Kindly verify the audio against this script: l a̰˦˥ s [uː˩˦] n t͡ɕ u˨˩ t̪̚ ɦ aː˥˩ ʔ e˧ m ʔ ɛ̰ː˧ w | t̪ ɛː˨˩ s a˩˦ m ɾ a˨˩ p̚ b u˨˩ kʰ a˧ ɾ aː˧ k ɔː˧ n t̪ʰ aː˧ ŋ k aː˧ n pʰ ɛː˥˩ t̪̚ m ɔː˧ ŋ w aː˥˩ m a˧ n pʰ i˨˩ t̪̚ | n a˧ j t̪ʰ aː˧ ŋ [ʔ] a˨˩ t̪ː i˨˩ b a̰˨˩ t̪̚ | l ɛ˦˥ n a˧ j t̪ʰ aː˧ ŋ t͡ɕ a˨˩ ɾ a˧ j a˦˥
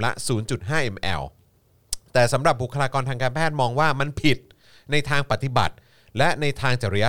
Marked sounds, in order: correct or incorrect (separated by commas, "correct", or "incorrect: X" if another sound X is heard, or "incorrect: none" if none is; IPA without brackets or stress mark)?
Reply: correct, incorrect: p